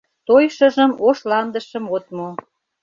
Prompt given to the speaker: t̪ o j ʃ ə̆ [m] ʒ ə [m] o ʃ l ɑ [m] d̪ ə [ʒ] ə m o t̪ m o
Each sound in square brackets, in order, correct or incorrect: incorrect: none, correct, incorrect: n, incorrect: ʃ

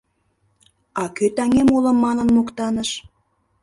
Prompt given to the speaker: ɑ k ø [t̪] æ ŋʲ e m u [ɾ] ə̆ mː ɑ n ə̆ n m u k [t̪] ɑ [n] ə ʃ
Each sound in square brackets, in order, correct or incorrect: correct, incorrect: l, correct, correct

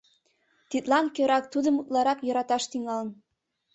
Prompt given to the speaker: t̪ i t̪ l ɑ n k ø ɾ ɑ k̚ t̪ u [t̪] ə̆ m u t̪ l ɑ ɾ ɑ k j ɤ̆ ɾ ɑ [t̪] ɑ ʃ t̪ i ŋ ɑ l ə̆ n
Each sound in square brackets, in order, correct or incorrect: incorrect: d̪, correct

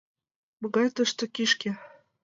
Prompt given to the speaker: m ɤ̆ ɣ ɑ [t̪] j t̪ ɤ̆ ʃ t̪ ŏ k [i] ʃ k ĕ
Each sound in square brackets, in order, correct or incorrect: incorrect: none, correct

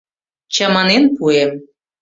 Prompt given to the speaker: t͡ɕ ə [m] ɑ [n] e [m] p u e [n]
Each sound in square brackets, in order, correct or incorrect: correct, correct, incorrect: n, incorrect: m

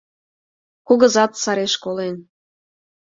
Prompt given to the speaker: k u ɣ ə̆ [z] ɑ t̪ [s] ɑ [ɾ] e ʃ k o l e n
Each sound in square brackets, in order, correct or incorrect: correct, correct, correct

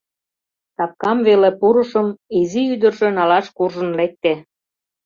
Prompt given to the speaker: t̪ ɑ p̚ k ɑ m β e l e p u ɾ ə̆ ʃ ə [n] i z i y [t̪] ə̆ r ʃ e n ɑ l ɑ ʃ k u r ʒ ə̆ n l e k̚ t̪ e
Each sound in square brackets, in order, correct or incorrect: incorrect: m, incorrect: d̪

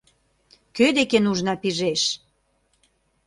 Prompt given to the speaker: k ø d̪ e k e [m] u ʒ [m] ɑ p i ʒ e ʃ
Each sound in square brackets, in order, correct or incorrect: incorrect: n, incorrect: n

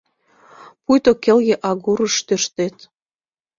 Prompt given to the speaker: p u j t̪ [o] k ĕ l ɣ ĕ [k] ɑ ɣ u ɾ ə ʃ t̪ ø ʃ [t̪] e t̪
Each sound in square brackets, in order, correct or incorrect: correct, incorrect: ʔ, correct

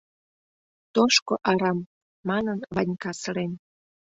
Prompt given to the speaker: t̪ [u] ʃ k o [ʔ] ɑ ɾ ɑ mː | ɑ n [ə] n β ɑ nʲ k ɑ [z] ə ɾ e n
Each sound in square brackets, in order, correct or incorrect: incorrect: o, correct, correct, incorrect: s

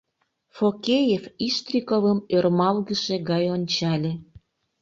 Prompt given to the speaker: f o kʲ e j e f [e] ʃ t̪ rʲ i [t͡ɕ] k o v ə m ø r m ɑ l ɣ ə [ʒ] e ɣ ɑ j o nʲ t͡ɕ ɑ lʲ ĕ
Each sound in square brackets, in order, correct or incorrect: incorrect: i, incorrect: none, incorrect: ʃ

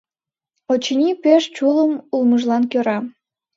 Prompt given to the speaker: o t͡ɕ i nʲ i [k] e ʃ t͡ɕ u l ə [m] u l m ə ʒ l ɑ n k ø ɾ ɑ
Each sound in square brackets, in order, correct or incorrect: incorrect: p, correct

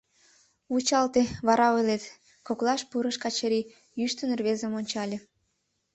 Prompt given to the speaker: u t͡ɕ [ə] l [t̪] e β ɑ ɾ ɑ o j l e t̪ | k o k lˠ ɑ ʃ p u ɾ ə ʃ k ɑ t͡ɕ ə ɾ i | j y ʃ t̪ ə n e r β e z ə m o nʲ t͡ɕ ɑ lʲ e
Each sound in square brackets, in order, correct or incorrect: incorrect: ɑ, correct

